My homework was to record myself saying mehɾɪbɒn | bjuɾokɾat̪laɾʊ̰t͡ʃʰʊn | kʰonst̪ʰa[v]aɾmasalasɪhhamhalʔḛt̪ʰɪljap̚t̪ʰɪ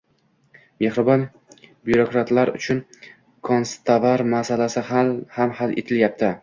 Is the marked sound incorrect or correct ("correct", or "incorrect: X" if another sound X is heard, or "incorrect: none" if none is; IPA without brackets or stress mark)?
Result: correct